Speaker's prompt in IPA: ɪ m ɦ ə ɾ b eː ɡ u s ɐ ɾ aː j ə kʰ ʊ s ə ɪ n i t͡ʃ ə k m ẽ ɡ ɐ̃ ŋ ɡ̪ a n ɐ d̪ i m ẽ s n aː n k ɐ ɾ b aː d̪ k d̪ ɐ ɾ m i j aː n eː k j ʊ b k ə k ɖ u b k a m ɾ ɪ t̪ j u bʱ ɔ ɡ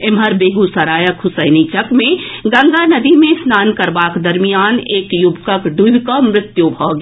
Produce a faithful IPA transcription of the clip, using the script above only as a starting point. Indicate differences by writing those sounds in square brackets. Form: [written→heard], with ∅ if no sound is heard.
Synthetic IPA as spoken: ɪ m ɦ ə ɾ b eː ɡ u s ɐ ɾ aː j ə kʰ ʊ s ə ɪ n i t͡ʃ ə k m ẽ ɡ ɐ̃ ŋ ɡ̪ a n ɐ d̪ i m ẽ s n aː n k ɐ ɾ b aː [d̪→∅] k d̪ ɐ ɾ m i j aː n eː k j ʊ b k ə k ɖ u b k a m ɾ ɪ t̪ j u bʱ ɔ ɡ

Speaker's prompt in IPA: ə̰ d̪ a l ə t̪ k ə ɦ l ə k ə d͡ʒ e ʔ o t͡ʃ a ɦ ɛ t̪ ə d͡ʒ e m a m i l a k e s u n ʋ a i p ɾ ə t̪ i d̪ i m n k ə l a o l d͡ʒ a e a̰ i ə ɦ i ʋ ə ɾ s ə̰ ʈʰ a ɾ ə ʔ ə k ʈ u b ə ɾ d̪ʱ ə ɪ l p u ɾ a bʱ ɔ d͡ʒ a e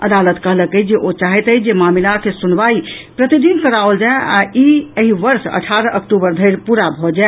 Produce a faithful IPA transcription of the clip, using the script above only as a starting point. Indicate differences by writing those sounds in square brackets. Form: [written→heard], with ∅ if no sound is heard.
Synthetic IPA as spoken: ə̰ d̪ a l ə t̪ k ə ɦ l ə k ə d͡ʒ e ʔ o t͡ʃ a ɦ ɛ t̪ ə d͡ʒ e m a m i l a k e s u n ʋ a i p ɾ ə t̪ i d̪ i [m→∅] n k ə [l→ɾ] a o l d͡ʒ a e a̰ i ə ɦ i ʋ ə ɾ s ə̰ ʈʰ a ɾ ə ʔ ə k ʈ u b ə ɾ d̪ʱ ə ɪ [l→ɾ] p u ɾ a bʱ ɔ d͡ʒ a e

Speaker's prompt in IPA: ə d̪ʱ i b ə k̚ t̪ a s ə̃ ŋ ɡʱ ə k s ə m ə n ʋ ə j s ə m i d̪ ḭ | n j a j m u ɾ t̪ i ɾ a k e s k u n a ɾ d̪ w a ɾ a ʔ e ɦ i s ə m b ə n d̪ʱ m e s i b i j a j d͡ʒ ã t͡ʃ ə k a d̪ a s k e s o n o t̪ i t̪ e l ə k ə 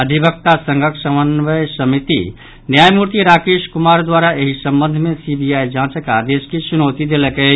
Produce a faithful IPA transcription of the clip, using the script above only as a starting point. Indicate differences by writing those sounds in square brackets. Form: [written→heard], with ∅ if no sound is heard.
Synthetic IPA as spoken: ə d̪ʱ i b ə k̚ t̪ a s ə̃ ŋ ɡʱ ə k s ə m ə n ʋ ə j s ə m i [d̪→t̪] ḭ | n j a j m u ɾ t̪ i ɾ a k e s k u [n→m] a ɾ d̪ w a ɾ a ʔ e ɦ i s ə m b ə n d̪ʱ m e s i b i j a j d͡ʒ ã t͡ʃ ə k a d̪ [a→e] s k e s [o→u] n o t̪ i [t̪→d̪] e l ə k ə

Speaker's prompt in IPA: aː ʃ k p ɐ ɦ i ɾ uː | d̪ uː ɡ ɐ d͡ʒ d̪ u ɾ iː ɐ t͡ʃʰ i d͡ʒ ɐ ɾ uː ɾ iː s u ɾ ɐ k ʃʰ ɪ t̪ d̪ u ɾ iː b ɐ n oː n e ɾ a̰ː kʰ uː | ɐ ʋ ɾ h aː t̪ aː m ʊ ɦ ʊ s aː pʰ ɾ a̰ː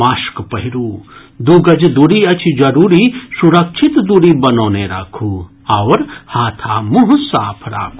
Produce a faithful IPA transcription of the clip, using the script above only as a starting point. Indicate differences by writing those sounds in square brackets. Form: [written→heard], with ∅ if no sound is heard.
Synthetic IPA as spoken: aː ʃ k p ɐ ɦ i ɾ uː | d̪ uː ɡ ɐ d͡ʒ d̪ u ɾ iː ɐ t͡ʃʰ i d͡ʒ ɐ ɾ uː ɾ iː s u ɾ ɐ k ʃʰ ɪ t̪ d̪ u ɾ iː b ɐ n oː n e ɾ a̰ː kʰ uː | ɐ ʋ ɾ h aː [t̪→t̪ʰ] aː m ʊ ɦ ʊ s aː pʰ ɾ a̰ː

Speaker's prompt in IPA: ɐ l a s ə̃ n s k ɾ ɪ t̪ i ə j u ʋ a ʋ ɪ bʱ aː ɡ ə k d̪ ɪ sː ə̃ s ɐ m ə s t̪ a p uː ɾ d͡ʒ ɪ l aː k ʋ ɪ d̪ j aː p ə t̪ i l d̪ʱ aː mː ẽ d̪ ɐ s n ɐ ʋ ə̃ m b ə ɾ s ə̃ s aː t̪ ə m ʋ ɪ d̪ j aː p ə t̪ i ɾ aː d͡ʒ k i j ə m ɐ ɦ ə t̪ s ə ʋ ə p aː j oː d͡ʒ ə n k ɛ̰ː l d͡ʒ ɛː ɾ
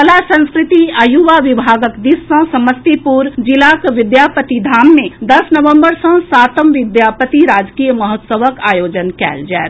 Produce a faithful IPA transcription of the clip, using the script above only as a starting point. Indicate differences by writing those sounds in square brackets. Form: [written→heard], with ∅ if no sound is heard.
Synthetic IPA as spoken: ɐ l a s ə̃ n s k ɾ ɪ t̪ i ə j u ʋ a ʋ ɪ bʱ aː ɡ ə k d̪ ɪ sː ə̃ s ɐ m ə s t̪ [a→i] p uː ɾ d͡ʒ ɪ l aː k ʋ ɪ d̪ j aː p ə t̪ i [l→∅] d̪ʱ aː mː ẽ d̪ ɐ s n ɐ ʋ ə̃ m b ə ɾ s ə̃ s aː t̪ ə m ʋ ɪ d̪ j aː p ə t̪ i ɾ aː d͡ʒ k i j ə m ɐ ɦ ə t̪ s ə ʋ ə [p→k] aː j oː d͡ʒ ə n k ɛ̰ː l d͡ʒ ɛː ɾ

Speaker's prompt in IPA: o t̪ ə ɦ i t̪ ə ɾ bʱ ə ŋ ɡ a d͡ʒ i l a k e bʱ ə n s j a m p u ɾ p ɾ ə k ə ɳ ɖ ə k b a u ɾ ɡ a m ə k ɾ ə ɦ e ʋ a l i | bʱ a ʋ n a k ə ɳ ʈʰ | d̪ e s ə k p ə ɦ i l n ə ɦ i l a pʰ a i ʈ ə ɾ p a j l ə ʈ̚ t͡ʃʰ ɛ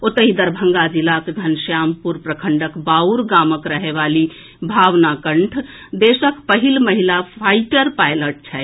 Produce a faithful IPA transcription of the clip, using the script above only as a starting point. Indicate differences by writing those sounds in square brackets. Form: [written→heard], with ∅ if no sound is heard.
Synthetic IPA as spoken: o t̪ ə ɦ i [t̪→d̪] ə ɾ bʱ ə ŋ ɡ a d͡ʒ i l a k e [bʱ→ɡʱ] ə n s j a m p u ɾ p ɾ ə [k→kʰ] ə ɳ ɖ ə k b a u ɾ ɡ a m ə k ɾ ə ɦ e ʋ a l i | bʱ a ʋ n a k ə ɳ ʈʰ | d̪ e s ə k p ə ɦ i l [n→m] ə ɦ i l a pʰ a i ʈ ə ɾ p a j l ə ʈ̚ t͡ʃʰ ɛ

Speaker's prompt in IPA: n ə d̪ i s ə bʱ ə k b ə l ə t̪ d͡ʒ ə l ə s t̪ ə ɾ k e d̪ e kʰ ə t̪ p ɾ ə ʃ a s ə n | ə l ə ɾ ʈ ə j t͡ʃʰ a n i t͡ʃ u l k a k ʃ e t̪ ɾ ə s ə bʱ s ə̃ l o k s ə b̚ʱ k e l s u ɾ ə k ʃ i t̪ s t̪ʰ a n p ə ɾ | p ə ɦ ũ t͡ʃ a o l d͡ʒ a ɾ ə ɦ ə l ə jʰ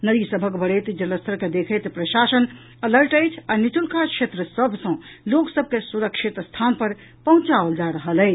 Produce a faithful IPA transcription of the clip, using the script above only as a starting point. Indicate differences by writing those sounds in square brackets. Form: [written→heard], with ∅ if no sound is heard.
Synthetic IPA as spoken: n ə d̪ i s ə bʱ ə k b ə [l→ɽ] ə t̪ d͡ʒ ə l ə s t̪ ə ɾ k e d̪ e kʰ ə t̪ p ɾ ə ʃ a s ə n | ə l ə ɾ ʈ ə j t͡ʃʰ a n i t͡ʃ u l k a k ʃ e t̪ ɾ ə s ə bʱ s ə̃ l o k s ə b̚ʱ k e [l→∅] s u ɾ ə k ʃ i t̪ s t̪ʰ a n p ə ɾ | p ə ɦ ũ t͡ʃ a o l d͡ʒ a ɾ ə ɦ ə l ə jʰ

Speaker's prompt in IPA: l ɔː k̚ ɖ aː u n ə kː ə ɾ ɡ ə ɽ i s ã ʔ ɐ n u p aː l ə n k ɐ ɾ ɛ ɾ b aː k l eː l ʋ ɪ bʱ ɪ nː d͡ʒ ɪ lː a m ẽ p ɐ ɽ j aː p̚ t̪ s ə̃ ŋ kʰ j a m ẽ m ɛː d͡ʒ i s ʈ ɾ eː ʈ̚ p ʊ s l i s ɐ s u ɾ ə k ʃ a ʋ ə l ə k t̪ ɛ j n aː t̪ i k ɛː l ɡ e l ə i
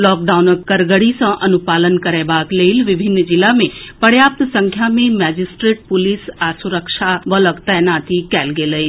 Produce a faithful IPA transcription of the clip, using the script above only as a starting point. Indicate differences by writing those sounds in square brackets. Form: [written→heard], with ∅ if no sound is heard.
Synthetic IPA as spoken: l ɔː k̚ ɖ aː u n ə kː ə ɾ ɡ ə ɽ i s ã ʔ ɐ n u p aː l ə n k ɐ ɾ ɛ [ɾ→∅] b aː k l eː l ʋ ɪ bʱ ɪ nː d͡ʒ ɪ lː a m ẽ p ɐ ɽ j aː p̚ t̪ s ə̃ ŋ kʰ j a m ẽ m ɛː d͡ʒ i s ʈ ɾ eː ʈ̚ p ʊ [s→∅] l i s [ɐ→a] s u ɾ ə k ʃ a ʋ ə l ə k t̪ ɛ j n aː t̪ i k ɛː l ɡ e l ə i

